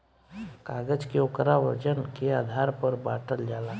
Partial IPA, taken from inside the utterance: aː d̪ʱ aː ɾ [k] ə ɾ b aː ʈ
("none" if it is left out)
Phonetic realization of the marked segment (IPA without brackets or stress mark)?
p